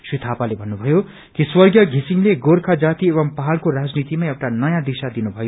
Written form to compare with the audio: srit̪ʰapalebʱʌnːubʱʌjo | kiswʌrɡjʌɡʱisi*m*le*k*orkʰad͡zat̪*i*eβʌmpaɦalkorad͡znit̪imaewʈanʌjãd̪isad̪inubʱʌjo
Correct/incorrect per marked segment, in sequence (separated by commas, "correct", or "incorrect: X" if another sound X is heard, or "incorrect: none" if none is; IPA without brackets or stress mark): incorrect: ŋ, incorrect: ɡ, correct